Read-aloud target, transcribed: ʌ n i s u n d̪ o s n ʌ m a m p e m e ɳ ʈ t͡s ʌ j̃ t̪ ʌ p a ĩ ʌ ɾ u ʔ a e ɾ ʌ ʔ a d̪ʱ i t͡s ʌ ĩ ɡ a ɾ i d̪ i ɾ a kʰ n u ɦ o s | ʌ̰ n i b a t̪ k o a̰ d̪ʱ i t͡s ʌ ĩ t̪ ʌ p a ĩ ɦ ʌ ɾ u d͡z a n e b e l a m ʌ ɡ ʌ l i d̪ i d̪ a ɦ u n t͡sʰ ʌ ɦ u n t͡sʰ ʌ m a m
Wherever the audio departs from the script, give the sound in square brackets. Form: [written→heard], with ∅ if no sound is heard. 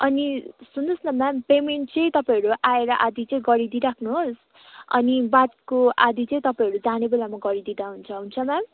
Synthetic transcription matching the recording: ʌ n i s u n d̪ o s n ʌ m a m p e m e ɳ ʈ t͡s ʌ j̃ t̪ ʌ p a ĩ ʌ ɾ u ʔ a e ɾ ʌ ʔ a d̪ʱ i t͡s ʌ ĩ ɡ [a→ʌ] ɾ i d̪ i ɾ a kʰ n u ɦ o s | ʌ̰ n i b a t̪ k o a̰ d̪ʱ i t͡s ʌ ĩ t̪ ʌ p a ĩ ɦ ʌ ɾ u d͡z a n e b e l a m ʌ ɡ ʌ [l→ɾ] i d̪ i d̪ a ɦ u n t͡sʰ ʌ ɦ u n t͡sʰ ʌ m a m